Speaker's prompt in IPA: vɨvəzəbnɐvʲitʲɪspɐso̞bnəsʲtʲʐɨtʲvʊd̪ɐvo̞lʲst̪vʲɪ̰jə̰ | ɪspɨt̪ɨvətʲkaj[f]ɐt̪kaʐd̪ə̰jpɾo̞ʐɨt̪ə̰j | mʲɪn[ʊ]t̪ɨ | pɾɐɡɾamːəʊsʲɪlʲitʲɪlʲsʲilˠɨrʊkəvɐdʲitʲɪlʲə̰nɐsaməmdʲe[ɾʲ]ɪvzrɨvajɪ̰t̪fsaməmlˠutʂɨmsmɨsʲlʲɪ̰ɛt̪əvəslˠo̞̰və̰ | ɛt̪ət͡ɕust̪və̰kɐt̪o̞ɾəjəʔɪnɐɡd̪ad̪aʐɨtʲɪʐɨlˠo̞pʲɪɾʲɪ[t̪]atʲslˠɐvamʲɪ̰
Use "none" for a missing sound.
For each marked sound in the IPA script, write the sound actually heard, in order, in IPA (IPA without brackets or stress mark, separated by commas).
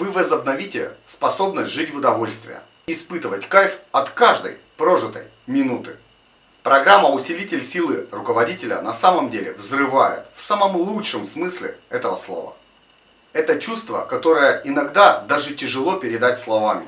f, u, lʲ, d̪